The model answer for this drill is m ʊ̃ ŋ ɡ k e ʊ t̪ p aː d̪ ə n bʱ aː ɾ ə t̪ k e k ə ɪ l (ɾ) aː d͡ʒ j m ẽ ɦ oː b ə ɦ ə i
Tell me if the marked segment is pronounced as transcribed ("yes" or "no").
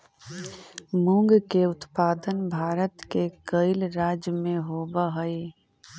yes